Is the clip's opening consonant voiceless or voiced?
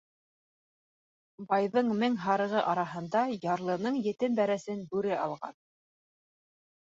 voiced